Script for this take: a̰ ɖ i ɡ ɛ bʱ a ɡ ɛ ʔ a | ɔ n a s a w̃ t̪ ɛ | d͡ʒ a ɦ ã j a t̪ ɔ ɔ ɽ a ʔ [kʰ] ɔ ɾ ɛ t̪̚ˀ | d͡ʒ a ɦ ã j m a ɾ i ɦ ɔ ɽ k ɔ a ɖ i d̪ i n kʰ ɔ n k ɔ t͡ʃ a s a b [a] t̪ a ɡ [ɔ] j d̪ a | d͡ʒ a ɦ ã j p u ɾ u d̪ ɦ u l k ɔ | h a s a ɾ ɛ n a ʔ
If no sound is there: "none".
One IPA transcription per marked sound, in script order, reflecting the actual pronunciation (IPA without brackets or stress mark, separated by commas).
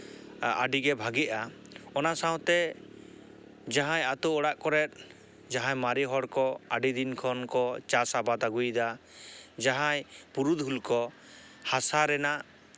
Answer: k, a, u